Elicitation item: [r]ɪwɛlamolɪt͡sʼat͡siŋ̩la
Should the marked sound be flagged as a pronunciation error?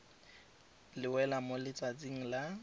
yes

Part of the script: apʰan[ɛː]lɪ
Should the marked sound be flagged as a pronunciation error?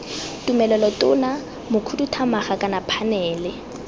no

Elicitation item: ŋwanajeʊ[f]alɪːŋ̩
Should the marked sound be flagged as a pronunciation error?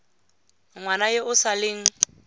yes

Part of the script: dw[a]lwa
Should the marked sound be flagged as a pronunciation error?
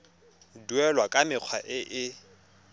yes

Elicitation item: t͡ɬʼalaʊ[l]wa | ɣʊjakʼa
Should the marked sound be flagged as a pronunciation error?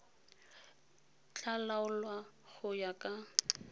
no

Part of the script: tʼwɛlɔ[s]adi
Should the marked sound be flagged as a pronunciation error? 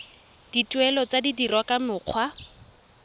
yes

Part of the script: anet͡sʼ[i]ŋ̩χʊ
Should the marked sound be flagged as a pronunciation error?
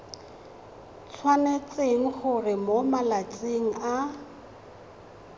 yes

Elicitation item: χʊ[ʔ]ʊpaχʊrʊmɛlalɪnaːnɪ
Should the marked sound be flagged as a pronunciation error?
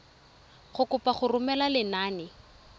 yes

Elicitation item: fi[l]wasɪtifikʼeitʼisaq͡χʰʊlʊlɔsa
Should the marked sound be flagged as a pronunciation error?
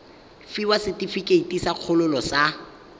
yes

